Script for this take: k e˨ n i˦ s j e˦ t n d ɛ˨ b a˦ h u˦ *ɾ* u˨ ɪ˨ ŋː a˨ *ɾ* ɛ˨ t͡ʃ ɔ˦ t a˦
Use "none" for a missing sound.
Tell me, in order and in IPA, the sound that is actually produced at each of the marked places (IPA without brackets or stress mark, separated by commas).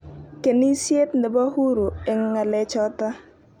ɾ, l